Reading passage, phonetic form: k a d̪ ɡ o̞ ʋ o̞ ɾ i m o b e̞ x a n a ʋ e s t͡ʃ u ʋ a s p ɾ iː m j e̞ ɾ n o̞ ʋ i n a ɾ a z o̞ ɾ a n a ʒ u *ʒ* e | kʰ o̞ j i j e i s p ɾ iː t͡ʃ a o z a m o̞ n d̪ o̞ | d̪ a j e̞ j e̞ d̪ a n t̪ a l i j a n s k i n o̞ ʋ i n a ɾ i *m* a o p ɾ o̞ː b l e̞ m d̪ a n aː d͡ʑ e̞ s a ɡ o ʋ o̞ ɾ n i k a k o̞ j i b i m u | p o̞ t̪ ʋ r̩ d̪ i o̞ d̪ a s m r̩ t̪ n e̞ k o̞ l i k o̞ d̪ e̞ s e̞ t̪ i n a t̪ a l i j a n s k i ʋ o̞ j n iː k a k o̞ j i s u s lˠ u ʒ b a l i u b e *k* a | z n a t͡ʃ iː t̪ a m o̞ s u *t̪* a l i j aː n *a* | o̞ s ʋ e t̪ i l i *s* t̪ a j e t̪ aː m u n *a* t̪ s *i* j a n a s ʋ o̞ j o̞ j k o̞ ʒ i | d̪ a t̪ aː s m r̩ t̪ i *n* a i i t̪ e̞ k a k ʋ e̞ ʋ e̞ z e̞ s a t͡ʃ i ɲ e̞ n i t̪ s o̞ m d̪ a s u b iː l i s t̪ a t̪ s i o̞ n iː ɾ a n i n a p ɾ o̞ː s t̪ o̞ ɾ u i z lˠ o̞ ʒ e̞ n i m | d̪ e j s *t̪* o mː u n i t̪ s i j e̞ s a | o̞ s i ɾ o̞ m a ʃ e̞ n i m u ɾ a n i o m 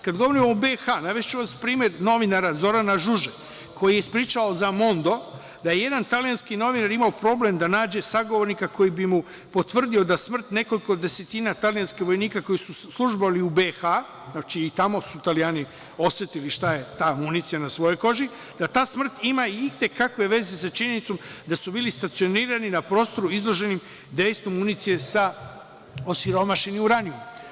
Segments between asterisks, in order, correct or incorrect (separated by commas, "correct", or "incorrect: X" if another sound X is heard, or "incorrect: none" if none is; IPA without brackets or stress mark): correct, correct, incorrect: x, correct, incorrect: i, incorrect: ʃ, incorrect: i, correct, incorrect: m, correct